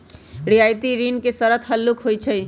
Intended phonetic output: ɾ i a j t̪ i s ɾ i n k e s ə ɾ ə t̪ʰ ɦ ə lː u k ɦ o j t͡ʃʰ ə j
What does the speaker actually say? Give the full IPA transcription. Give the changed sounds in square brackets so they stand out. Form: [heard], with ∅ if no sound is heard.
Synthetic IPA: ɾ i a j t̪ i [∅] ɾ i n k e s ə ɾ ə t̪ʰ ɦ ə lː u k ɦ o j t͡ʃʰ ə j